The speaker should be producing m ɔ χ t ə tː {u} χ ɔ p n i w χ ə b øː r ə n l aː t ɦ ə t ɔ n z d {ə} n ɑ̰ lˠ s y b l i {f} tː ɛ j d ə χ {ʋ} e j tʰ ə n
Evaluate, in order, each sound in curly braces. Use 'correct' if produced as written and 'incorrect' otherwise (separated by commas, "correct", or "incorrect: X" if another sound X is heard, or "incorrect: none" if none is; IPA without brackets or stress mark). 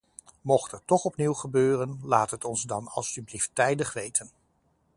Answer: incorrect: ɔ, incorrect: ɑ, correct, correct